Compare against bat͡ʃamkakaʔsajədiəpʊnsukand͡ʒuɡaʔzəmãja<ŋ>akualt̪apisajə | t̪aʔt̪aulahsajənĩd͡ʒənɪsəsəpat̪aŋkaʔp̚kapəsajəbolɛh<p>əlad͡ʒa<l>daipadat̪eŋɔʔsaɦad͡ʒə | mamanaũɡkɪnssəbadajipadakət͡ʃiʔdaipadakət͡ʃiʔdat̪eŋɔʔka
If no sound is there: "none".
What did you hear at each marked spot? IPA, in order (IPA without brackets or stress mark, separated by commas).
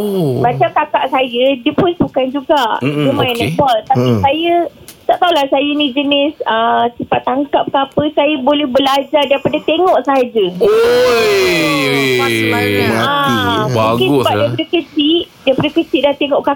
n, b, r